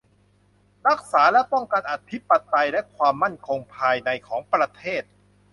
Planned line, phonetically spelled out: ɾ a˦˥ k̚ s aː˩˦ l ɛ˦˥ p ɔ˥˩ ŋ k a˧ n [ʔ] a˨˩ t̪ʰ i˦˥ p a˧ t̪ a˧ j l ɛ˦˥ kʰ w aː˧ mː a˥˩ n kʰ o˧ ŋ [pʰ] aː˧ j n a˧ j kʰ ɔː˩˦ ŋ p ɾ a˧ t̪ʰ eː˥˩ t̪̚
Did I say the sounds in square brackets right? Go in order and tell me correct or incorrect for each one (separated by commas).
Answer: correct, correct